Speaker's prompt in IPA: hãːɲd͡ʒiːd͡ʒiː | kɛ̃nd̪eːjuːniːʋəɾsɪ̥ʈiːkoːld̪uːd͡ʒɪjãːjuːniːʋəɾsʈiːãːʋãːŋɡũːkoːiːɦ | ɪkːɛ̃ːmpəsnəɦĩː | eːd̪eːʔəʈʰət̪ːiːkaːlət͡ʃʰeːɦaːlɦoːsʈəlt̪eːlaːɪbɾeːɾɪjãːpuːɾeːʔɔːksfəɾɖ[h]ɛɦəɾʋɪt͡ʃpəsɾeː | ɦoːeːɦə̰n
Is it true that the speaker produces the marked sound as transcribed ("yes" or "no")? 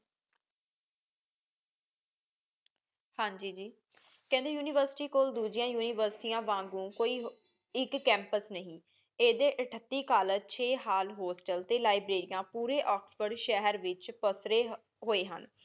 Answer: no